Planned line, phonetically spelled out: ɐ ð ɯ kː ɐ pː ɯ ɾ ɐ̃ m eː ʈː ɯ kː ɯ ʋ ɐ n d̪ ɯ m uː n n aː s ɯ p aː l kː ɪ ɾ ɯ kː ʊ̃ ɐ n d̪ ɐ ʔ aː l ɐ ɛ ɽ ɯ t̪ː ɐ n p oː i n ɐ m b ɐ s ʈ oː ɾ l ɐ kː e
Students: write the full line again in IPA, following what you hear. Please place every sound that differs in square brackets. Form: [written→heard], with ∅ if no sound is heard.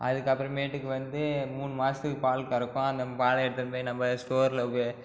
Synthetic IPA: ɐ ð ɯ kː ɐ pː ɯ ɾ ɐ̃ m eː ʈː ɯ kː ɯ ʋ ɐ n d̪ ɯ m uː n [n→m] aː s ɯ p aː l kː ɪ ɾ ɯ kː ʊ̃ ɐ n d̪ ɐ [ʔ→p] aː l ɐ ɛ ɽ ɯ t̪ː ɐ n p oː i n ɐ m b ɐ s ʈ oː ɾ l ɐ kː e